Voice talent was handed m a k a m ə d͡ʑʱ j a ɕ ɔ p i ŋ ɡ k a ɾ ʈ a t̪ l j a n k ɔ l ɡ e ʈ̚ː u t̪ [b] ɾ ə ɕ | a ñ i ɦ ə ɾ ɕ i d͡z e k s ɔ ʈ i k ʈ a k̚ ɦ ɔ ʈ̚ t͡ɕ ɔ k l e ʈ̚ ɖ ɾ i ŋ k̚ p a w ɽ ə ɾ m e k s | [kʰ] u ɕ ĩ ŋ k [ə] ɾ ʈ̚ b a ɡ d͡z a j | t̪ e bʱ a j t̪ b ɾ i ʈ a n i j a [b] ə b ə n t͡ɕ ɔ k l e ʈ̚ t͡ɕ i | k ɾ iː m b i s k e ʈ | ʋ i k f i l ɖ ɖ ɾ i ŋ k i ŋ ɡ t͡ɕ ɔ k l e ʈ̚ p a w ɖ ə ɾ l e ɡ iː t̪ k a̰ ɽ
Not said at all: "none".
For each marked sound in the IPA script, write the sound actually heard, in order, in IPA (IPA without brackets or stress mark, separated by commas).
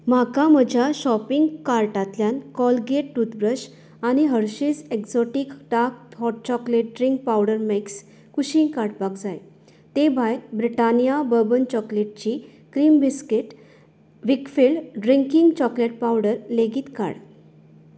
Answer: b, k, a, b